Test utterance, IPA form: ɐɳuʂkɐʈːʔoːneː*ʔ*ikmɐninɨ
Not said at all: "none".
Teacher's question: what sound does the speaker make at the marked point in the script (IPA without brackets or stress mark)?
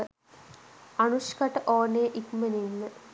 ʔ